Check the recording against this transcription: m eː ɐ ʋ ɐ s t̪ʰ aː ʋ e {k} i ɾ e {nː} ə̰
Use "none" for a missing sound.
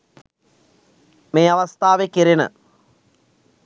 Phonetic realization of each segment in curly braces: k, n

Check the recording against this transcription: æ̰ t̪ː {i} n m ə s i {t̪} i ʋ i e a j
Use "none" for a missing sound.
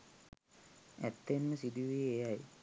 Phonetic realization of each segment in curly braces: e, d̪

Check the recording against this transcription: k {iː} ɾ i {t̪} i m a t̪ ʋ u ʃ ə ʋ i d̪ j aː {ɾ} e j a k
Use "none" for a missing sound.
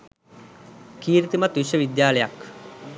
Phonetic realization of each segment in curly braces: iː, t̪, l

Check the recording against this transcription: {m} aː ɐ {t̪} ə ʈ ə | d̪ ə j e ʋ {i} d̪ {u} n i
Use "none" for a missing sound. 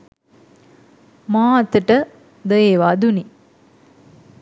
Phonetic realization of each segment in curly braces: m, t̪, a, u

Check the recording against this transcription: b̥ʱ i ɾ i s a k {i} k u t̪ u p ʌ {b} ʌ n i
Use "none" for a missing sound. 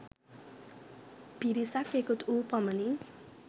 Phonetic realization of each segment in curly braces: e, m

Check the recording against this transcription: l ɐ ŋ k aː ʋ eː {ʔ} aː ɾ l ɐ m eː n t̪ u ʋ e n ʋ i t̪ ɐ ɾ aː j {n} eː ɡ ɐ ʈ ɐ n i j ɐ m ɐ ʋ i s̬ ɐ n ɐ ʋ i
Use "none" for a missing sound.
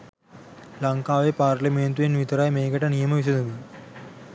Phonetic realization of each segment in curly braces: p, m

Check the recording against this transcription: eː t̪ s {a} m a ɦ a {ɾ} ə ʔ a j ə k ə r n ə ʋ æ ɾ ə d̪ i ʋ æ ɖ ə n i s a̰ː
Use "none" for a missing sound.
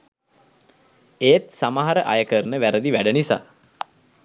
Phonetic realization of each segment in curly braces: a, ɾ

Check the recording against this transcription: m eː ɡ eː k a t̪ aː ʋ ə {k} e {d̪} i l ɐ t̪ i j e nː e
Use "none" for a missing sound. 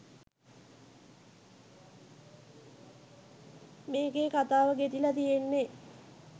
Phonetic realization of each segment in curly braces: ɡ, t̪

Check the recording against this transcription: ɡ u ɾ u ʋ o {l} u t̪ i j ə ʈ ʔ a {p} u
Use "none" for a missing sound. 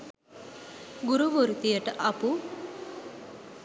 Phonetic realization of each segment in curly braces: ɾ, p

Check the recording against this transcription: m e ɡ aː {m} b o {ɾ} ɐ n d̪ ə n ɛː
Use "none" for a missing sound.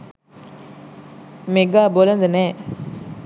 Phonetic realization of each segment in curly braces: none, l

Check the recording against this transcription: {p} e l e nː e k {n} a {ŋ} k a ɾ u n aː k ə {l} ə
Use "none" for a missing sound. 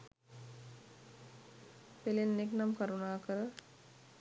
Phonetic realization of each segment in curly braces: p, n, m, ɾ

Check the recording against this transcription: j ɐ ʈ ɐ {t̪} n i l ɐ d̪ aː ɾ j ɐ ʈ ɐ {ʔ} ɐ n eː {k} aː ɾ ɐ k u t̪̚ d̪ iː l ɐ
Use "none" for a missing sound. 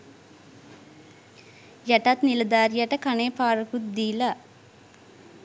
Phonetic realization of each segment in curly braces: t̪, k, p

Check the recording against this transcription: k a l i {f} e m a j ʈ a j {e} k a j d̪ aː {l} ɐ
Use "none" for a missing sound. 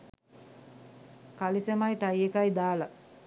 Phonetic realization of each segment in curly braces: s, e, l

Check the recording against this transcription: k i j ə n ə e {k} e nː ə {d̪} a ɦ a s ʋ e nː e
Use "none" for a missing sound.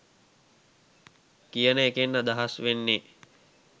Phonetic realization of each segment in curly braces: k, d̪

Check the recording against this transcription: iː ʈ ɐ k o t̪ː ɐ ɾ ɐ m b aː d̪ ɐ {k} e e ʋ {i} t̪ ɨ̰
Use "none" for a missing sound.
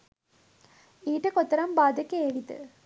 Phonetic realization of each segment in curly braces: k, i

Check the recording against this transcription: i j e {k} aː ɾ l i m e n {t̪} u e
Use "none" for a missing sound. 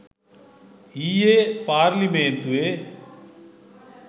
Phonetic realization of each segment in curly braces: p, t̪

